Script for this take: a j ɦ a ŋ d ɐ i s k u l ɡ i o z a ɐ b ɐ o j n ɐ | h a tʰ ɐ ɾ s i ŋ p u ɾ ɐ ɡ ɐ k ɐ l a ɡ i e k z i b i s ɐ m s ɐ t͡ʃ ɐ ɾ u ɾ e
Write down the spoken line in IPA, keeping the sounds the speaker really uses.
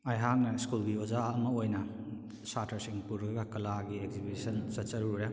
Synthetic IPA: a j ɦ a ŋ n ɐ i s k u l ɡ i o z a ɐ m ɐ o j n ɐ | s a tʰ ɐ ɾ s i ŋ p u ɾ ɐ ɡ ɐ k ɐ l a ɡ i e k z i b i s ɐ n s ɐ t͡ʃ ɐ ɾ u ɾ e